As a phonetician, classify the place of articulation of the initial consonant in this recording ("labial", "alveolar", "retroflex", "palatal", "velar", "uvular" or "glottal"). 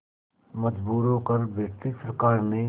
labial